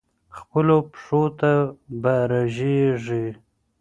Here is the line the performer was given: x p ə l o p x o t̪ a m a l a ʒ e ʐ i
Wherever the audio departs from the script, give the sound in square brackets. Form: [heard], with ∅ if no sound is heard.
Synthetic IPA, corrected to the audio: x p ə l o p [ʂ] o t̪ a [b] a [ɾ] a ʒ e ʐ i